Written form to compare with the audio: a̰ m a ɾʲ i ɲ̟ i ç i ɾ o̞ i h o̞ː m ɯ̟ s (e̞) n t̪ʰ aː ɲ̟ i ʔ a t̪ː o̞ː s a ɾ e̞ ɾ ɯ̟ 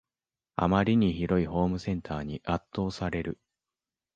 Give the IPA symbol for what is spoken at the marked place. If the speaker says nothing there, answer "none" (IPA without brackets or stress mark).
ẽ̞